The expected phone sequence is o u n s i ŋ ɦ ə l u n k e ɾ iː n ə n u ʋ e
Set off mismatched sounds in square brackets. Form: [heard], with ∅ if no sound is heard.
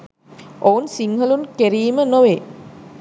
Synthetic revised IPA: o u n s i ŋ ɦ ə l u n k e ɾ iː [m] ə n [o] ʋ e